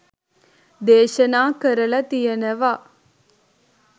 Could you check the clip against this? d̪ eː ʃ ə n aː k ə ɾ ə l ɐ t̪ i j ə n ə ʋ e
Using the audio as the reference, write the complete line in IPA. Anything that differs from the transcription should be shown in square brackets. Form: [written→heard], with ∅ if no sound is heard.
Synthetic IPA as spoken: d̪ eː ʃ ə n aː k ə ɾ ə l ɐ t̪ i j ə n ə ʋ [e→a]